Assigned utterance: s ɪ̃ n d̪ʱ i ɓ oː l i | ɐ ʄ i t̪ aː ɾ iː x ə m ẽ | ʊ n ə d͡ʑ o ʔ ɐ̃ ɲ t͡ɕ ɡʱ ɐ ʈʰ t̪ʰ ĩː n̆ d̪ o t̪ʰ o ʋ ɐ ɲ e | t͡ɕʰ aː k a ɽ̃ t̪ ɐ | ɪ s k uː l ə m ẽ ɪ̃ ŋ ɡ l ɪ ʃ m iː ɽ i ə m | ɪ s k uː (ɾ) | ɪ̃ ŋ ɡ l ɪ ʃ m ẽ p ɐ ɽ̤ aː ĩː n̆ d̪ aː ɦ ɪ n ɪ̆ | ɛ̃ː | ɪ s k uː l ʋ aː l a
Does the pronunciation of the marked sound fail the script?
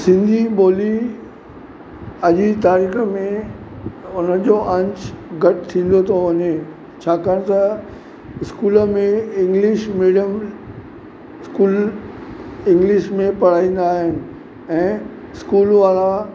yes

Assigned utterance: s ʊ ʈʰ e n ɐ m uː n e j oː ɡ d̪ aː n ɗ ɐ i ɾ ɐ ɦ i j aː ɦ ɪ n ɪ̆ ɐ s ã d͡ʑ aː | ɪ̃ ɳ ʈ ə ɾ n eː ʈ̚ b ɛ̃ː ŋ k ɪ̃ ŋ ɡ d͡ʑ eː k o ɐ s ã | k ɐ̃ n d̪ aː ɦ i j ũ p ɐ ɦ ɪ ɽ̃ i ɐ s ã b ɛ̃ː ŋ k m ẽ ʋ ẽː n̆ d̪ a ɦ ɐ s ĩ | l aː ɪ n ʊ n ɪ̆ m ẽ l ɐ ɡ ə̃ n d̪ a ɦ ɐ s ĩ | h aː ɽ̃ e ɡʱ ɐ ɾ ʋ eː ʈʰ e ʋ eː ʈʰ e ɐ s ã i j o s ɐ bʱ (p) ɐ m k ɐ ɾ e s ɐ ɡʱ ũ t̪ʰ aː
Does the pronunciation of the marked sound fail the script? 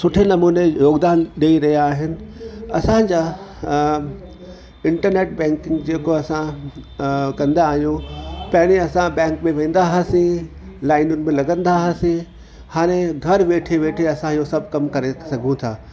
yes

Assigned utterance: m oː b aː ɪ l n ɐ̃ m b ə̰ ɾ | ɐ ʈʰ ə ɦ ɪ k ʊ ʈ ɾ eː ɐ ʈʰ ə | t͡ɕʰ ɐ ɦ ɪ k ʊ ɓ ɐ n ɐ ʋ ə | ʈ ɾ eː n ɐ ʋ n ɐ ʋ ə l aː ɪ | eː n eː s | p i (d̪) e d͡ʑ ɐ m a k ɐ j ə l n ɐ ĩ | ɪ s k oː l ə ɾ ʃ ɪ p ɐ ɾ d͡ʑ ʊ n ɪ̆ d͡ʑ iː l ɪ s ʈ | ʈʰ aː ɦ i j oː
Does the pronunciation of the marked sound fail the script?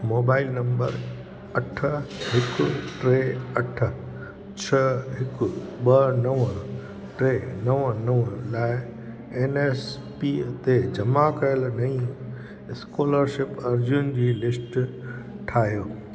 yes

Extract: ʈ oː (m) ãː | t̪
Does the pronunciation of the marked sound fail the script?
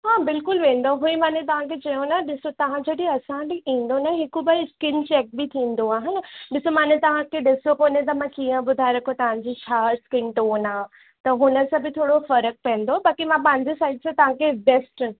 yes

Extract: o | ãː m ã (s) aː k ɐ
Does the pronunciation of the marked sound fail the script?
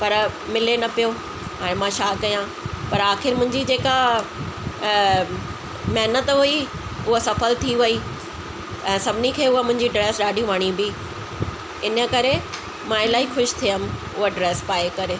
yes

